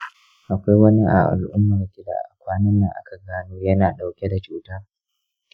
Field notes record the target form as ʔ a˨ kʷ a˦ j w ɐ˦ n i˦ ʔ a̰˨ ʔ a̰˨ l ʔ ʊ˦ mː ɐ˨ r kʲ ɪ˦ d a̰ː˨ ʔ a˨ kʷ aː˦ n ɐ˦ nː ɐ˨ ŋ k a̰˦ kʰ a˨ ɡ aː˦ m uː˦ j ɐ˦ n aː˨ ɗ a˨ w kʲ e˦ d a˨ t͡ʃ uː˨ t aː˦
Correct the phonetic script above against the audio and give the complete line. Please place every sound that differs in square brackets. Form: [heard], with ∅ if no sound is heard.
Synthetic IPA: ʔ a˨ kʷ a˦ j w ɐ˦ n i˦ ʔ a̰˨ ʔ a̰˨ l ʔ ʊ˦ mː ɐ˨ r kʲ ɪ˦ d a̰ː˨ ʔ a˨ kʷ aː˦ n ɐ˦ nː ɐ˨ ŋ [ʔ] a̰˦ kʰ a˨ ɡ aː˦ [n] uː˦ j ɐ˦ n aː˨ ɗ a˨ w kʲ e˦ d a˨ t͡ʃ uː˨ t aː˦